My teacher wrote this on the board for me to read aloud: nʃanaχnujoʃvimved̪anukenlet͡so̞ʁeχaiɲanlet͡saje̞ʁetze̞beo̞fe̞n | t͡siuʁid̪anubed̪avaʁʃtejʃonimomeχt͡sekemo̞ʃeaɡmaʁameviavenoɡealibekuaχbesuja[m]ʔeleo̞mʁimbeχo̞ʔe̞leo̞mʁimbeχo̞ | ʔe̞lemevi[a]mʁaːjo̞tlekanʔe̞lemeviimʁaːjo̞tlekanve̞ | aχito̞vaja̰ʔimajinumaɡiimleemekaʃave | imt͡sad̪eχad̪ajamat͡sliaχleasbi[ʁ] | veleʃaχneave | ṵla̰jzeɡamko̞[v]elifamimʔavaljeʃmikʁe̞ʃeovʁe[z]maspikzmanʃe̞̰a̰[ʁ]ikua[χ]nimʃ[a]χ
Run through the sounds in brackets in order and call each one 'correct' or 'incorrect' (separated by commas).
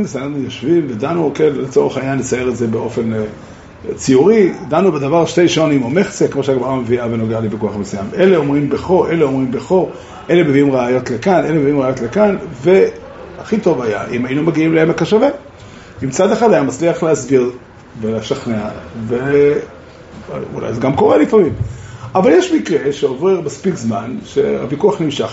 correct, incorrect, correct, incorrect, incorrect, incorrect, correct, correct